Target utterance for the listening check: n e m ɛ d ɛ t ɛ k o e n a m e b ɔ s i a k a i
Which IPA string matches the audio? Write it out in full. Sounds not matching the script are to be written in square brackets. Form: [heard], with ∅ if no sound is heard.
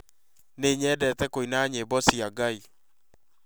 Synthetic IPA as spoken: n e [ɲ] ɛ d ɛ t ɛ k o [i] n a [ɲ] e b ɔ s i a [ɡ] a i